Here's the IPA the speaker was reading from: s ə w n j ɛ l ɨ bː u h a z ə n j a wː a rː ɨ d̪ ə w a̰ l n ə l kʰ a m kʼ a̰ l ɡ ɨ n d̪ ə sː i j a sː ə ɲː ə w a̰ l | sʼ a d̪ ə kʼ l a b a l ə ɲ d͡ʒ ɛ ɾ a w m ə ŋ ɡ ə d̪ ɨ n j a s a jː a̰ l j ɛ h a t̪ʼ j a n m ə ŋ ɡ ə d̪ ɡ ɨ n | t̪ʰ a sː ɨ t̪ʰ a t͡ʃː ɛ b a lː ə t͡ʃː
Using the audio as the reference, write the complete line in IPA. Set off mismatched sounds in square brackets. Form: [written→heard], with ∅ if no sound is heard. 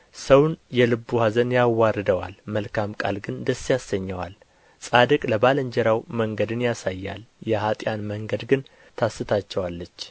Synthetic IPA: s ə w n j ɛ l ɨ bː u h a z ə n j a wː a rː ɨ d̪ ə w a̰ l [n→m] ə l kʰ a m kʼ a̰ l ɡ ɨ n d̪ ə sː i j a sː ə ɲː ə w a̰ l | sʼ a d̪ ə kʼ l [a→ə] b a l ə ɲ d͡ʒ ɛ ɾ a w m ə ŋ ɡ ə d̪ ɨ n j a s a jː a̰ l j ɛ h a t̪ʼ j a n m ə ŋ ɡ ə d̪ ɡ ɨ n | t̪ʰ a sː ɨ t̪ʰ a t͡ʃː ɛ [b→w] a lː ə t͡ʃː